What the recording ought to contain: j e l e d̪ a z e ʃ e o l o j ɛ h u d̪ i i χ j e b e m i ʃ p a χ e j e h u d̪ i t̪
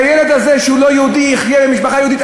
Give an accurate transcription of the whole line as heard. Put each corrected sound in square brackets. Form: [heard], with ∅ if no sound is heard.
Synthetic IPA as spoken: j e l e d̪ a z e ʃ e [u] l o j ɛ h u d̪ i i χ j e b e m i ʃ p a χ [a] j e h u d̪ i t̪

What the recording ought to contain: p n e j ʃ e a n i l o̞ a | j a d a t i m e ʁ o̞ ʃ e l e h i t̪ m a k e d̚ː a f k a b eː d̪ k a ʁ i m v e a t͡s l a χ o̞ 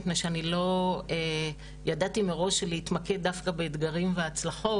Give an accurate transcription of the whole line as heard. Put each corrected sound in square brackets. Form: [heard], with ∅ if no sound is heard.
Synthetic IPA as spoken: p n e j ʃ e a n i l o̞ [e] | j a d a t i m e ʁ o̞ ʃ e l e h i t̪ m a k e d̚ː a f k a b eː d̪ [ɡ] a ʁ i m v e a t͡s l a χ o̞

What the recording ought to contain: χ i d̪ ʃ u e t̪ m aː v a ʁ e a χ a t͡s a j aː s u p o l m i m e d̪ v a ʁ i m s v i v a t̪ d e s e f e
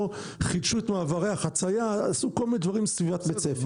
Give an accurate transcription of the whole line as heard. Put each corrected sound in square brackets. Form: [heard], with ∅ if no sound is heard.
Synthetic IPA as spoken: χ i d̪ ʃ u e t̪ m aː v a ʁ e a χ a t͡s a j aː s u [k] o l m i [n] e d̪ v a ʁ i m s v i v a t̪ [b] e [t͡s] e f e

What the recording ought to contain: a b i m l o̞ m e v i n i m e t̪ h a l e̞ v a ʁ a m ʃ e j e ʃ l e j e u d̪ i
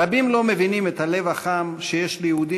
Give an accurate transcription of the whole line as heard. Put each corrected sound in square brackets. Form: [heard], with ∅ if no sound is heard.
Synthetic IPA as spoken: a b i m l o̞ m e v i n i m e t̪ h a l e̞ v a [χ] a m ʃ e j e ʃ l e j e u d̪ i

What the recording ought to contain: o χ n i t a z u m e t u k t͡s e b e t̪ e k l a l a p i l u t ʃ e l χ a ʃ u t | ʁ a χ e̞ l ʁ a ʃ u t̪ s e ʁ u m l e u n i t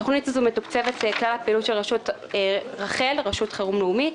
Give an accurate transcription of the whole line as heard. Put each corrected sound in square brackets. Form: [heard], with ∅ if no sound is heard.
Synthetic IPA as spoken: o χ n i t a z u m e t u k t͡s e [v] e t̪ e k l a l a p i l u t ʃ e l [ʁ] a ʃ u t | ʁ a χ e̞ l ʁ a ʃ u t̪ [χ] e ʁ u m l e u [m] i t

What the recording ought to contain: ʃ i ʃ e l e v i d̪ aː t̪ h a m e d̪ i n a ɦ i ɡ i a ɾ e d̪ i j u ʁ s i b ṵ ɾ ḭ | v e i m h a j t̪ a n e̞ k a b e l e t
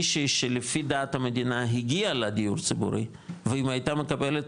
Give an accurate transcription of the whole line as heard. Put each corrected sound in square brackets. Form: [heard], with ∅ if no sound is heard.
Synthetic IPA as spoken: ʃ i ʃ e l e [f] i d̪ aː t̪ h a m e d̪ i n a ɦ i ɡ i a [l] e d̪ i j u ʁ [t͡s] i b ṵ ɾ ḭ | v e i m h a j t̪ a [m] e̞ k a b e l e t

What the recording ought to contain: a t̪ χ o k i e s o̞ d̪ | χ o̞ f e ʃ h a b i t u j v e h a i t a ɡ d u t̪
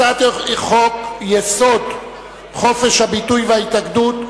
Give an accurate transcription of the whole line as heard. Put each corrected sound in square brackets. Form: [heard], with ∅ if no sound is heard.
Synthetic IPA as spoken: a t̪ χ o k [j] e s o̞ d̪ | χ o̞ f e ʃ h a b i t u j v e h a i t a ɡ d u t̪

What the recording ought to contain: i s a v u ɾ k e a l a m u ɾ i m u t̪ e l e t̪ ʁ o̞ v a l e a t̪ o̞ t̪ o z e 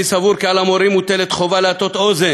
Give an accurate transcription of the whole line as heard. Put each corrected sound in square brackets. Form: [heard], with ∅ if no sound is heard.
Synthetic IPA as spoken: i s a v u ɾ k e a l a m [o] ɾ i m u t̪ e l e t̪ [χ] o̞ v a l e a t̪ o̞ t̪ o z e

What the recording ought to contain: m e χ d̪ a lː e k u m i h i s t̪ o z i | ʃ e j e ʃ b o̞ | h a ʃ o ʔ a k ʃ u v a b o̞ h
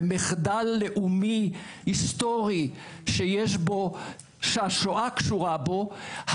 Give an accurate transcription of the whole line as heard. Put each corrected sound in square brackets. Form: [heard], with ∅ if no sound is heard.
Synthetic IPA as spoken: m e χ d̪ a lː e [ʔ] u m i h i s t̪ o [ʁ] i | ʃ e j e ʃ b o̞ | [ʃ] a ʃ o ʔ a k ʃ u [ʁ] a b o̞ h

